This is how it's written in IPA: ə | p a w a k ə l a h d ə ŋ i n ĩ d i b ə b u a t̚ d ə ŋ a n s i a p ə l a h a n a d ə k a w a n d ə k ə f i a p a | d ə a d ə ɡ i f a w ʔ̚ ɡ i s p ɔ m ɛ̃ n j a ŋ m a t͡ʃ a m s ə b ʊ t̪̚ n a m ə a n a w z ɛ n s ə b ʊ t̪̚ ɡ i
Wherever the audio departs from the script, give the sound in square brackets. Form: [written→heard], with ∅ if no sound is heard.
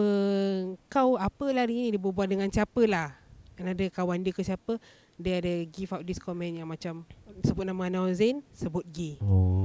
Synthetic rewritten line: ə | [p→k] a w a [k→p] ə l a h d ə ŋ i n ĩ d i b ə b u a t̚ d ə ŋ a n s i a p ə l a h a n a d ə k a w a n d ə k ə [f→s] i a p [a→ə] | d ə a d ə ɡ i f a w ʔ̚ [ɡ→d] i s [p→k] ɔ m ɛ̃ n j a ŋ m a t͡ʃ a m s ə b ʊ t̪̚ n a m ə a n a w z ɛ n s ə b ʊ t̪̚ ɡ i